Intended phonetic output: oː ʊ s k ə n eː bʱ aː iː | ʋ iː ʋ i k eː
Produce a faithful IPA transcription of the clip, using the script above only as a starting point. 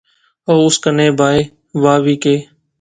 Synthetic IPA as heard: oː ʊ s k ə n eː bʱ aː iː | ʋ aː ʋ iː k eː